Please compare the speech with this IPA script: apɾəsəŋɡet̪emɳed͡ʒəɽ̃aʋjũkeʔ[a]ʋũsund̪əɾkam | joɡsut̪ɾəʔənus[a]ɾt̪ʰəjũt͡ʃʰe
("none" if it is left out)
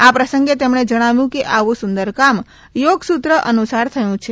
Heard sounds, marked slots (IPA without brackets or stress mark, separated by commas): a, a